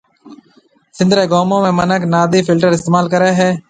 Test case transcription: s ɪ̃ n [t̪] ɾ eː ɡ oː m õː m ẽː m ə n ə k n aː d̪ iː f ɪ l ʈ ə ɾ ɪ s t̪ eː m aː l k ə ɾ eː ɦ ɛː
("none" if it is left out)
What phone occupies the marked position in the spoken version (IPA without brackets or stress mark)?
d̪